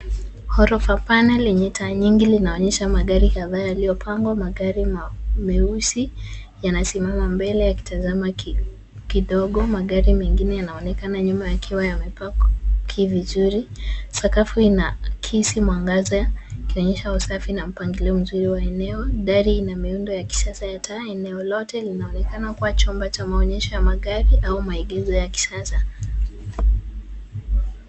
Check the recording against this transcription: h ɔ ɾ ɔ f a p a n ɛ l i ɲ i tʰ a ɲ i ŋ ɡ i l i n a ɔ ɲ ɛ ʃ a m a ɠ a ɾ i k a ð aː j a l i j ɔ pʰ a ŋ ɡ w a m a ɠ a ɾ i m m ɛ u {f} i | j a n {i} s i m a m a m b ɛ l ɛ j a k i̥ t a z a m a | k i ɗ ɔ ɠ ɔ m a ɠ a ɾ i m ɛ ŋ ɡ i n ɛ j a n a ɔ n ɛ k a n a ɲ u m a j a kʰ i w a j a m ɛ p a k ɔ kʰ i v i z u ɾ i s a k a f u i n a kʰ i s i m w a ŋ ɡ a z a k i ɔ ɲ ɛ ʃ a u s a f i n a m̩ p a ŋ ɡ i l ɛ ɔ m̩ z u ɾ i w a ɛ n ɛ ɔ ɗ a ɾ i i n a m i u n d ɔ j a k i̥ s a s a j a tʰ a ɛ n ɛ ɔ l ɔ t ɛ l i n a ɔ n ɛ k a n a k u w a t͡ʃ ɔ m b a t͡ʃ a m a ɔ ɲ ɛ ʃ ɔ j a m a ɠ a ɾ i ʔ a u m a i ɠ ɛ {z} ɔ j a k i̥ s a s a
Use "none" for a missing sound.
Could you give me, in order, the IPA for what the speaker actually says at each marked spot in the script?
s, a, z

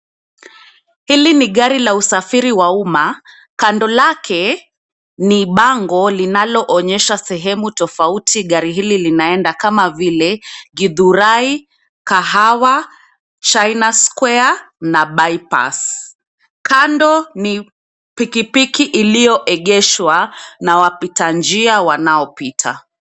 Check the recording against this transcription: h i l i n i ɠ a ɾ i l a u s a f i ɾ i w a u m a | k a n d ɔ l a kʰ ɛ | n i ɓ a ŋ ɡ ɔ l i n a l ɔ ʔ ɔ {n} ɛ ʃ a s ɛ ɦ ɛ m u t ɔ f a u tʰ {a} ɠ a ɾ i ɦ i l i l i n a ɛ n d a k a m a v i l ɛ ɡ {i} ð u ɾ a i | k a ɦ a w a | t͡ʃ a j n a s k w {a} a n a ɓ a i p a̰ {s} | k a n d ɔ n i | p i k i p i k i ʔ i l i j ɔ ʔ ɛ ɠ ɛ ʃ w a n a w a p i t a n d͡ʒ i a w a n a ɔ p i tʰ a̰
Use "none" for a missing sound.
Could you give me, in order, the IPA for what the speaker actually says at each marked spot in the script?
ɲ, i, i, ɛ, s

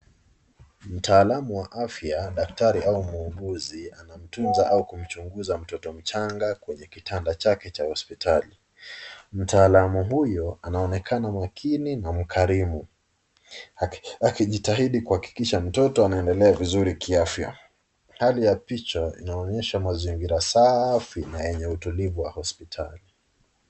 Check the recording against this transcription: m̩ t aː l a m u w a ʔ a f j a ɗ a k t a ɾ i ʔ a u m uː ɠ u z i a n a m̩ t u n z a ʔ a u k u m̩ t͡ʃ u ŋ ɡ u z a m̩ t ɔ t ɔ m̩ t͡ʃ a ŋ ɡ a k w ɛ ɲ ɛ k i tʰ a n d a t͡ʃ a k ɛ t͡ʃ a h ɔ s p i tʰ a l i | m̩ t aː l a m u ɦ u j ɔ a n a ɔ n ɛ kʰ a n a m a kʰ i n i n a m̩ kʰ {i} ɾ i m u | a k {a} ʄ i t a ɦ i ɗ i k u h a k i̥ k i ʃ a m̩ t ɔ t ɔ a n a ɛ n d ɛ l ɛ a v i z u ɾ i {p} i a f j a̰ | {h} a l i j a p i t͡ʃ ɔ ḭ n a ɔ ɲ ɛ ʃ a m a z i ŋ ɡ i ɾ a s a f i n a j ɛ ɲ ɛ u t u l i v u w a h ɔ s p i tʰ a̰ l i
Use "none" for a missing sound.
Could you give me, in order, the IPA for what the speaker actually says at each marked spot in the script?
a, i, k, h

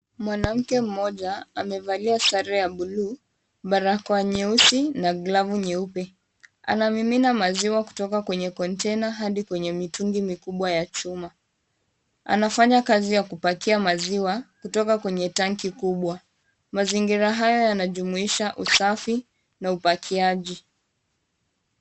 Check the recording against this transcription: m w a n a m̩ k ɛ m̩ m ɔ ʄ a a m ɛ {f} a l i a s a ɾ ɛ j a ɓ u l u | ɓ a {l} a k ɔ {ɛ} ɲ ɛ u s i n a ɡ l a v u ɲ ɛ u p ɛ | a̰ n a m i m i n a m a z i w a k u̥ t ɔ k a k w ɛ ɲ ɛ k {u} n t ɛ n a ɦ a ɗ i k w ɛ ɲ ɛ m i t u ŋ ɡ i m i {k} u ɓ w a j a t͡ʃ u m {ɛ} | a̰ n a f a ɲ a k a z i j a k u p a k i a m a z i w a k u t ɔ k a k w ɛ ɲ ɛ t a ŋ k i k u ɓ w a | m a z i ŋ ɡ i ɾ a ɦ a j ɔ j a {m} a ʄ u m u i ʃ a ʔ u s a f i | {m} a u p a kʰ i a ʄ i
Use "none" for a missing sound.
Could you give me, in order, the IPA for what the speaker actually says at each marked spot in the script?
v, ɾ, a, ɔ, k, a, n, n

